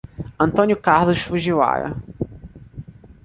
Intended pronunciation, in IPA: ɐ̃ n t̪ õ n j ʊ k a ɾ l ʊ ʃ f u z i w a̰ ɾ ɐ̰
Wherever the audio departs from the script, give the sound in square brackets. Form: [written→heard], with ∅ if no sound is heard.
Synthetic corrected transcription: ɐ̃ n t̪ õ n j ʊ k a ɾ l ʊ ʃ f u [z→ʒ] i w a̰ ɾ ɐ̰